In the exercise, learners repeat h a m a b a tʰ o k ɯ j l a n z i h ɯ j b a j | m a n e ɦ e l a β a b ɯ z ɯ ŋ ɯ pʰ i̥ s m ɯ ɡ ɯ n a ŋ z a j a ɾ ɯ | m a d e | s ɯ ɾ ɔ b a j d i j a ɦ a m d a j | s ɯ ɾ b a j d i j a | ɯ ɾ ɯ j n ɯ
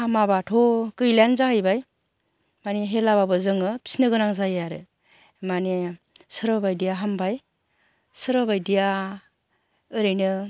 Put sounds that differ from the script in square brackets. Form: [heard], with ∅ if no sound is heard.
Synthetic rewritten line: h a m a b a tʰ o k ɯ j l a n z [a] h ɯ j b a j | m a n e ɦ e l a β a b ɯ z ɯ ŋ ɯ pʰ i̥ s [n] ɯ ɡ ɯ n a ŋ z a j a ɾ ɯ | m a [n] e | s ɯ ɾ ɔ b a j d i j a ɦ a m [b] a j | s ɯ ɾ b a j d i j a | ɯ ɾ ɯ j n ɯ